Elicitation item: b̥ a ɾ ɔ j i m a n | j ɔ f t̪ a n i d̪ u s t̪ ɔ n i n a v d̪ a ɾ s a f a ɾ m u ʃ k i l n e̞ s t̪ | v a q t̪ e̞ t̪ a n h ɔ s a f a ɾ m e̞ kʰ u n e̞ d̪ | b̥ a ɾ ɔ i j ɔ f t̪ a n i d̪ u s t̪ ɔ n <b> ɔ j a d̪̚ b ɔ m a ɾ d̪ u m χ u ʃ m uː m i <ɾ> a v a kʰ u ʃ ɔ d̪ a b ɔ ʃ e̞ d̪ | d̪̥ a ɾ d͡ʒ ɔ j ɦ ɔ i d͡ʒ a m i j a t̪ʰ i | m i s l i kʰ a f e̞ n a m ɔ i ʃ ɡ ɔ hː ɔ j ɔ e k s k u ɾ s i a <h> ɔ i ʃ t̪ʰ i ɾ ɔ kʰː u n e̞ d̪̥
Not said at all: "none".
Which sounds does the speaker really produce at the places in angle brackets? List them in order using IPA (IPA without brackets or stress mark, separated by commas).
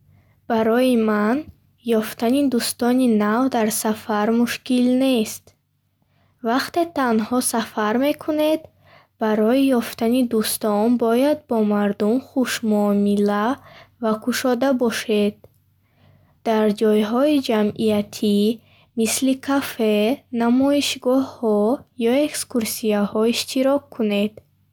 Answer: b, l, h